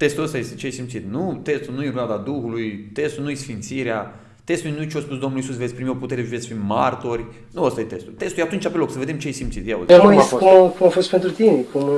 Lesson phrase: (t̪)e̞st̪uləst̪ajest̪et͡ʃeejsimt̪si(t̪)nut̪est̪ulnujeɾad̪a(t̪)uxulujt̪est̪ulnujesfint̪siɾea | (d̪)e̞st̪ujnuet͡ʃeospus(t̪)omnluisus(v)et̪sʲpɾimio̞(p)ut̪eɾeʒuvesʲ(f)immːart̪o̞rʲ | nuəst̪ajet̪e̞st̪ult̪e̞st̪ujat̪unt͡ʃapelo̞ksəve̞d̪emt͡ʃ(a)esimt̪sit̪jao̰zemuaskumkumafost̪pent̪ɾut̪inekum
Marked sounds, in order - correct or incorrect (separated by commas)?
correct, correct, incorrect, incorrect, incorrect, correct, correct, correct, incorrect